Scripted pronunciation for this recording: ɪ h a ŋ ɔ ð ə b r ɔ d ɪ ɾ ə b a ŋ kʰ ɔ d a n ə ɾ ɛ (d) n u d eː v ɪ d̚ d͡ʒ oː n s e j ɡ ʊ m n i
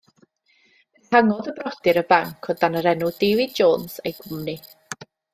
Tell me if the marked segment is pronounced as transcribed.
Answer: no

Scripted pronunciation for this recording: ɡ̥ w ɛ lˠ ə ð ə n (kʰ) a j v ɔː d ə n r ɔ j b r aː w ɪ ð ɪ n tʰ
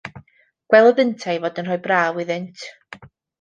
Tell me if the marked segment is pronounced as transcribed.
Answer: no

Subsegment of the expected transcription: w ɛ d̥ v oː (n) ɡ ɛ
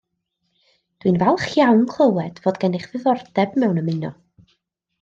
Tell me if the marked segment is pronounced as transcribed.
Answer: no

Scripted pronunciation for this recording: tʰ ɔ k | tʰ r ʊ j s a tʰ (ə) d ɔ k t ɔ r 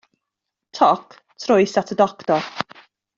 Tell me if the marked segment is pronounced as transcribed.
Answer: yes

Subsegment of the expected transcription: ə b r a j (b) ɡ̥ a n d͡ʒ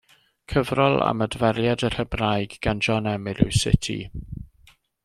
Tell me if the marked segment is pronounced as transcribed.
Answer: no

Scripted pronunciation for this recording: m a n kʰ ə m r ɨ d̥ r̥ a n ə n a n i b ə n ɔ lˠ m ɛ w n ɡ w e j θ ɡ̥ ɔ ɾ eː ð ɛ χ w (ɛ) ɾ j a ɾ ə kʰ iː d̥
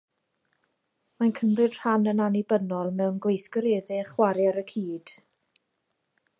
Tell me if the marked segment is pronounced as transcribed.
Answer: no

